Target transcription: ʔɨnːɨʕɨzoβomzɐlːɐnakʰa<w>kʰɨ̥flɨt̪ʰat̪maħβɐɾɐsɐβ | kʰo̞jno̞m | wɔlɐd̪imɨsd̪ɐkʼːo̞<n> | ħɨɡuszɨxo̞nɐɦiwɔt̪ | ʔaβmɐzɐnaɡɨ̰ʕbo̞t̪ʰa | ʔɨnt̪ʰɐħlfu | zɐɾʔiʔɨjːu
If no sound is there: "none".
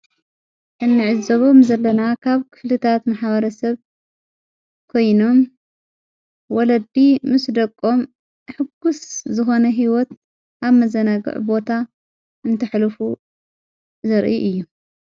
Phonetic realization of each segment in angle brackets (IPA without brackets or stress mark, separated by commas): β, m